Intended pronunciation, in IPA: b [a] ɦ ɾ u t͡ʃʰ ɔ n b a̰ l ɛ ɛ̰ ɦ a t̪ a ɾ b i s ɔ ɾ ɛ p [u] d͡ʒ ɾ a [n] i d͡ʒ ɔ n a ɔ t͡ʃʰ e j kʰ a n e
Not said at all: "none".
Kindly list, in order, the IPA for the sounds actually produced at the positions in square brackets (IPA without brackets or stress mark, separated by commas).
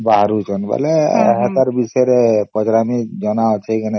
a, ɔ, m